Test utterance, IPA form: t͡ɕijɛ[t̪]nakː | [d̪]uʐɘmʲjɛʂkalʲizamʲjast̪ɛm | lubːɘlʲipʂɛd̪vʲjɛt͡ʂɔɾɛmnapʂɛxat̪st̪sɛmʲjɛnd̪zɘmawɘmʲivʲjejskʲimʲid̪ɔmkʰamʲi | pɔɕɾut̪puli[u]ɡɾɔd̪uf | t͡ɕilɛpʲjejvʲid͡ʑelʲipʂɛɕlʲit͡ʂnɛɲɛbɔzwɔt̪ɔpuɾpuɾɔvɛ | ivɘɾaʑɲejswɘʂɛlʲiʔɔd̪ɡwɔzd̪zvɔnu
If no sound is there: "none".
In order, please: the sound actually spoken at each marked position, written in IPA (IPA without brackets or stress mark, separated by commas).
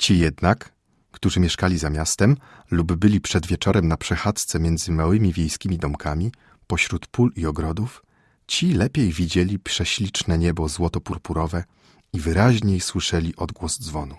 d̪, t̪, ɔ